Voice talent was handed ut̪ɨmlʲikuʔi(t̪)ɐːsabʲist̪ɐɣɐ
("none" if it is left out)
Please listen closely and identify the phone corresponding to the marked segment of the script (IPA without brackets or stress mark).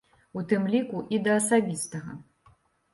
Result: d̪